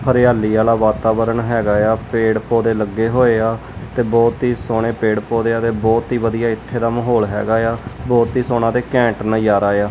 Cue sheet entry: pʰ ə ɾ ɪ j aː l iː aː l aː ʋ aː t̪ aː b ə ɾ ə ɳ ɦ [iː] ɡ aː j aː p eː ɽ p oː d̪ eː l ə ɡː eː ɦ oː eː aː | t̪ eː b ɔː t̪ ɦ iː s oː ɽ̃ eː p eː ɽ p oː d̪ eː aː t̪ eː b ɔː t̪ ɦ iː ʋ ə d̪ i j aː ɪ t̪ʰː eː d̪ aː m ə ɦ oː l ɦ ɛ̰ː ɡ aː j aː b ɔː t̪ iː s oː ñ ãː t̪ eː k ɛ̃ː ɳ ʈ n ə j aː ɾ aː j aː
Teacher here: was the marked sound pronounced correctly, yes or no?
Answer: no